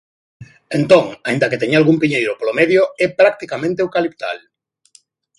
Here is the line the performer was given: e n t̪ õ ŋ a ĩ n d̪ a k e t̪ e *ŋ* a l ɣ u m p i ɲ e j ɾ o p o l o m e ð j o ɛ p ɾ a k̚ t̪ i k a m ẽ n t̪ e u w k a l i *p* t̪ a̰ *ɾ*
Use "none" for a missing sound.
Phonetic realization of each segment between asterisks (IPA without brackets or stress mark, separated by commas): ɲ, p, l